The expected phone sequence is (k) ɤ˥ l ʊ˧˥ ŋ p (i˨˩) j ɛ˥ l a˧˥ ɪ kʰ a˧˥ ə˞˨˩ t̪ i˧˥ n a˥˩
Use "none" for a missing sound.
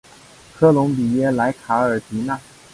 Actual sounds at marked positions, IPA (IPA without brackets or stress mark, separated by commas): kʰ, i˨˩